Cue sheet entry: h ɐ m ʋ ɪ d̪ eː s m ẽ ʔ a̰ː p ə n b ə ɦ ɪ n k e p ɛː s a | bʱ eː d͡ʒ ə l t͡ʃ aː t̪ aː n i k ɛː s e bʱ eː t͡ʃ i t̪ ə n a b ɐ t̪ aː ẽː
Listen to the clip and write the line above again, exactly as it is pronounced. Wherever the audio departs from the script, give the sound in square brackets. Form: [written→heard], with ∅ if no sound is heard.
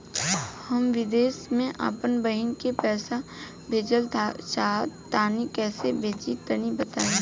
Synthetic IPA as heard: h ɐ m ʋ ɪ d̪ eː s m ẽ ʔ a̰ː p ə n b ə ɦ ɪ n k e p ɛː s a | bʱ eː d͡ʒ ə l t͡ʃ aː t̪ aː n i k ɛː s e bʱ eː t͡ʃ i t̪ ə n [a→i] b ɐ t̪ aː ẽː